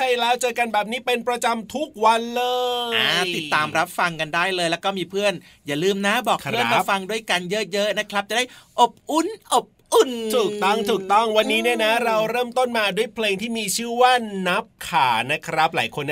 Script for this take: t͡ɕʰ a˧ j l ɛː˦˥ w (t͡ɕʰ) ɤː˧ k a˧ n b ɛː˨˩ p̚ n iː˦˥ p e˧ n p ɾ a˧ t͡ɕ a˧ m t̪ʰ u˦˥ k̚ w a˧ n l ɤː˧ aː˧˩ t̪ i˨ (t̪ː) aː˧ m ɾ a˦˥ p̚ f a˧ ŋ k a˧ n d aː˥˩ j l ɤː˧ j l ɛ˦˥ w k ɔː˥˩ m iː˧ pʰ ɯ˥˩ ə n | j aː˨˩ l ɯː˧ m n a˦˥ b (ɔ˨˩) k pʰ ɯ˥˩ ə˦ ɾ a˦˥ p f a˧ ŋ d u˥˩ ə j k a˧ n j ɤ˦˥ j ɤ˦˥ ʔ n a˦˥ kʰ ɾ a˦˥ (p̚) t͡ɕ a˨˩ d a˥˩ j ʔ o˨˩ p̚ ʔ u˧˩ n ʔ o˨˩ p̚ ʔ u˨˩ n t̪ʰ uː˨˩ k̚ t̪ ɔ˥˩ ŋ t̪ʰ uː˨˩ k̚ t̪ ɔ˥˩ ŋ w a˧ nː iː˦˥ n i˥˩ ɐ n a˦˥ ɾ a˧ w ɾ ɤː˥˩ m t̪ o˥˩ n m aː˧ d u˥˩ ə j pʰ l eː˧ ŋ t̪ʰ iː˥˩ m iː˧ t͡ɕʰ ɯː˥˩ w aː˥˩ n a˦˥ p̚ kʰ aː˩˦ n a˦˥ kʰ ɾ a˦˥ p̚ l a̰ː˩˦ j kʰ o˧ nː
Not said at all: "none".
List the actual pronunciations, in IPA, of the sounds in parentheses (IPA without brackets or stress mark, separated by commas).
t͡ɕ, t̪ː, ɔː˨˩, p̚